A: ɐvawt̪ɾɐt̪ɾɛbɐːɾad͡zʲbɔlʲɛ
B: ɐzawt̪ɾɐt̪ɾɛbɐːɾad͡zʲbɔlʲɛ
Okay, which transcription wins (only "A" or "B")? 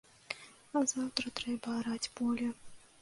B